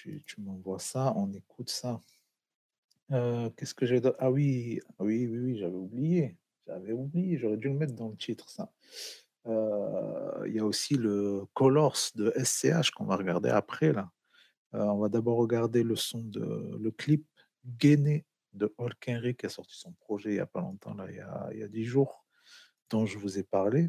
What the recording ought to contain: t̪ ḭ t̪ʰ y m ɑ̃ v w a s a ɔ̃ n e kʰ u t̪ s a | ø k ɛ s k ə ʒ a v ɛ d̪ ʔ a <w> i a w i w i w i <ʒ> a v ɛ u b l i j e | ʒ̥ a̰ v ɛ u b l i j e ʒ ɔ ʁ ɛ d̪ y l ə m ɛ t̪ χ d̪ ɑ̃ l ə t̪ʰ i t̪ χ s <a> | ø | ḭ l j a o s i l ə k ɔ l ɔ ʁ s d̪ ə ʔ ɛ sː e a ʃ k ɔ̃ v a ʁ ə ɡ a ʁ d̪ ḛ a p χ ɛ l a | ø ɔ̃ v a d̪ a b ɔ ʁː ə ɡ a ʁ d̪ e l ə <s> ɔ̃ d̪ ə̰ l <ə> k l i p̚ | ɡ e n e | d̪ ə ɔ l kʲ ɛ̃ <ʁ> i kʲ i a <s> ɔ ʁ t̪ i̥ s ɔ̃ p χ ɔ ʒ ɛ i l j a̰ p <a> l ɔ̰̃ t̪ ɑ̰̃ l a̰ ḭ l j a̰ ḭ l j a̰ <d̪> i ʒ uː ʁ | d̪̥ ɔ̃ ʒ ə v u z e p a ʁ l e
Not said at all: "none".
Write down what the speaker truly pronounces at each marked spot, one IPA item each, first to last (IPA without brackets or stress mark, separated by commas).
w, ʒ, a, s, ə, ʁ, s, a, d̪